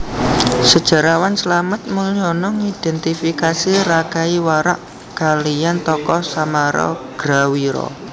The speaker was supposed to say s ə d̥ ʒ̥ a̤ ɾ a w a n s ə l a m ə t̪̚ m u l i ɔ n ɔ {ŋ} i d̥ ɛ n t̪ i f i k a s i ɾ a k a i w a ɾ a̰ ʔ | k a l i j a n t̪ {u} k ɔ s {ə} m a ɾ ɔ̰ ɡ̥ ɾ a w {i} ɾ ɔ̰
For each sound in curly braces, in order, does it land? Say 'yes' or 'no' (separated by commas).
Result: yes, no, no, yes